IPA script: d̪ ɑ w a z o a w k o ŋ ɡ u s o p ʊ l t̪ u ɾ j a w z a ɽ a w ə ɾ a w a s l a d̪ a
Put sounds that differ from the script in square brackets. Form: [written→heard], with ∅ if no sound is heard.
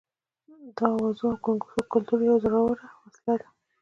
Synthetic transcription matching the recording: d̪ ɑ w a z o a w k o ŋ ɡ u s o [p→k] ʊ l t̪ u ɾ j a w z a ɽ a w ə ɾ a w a s l a d̪ a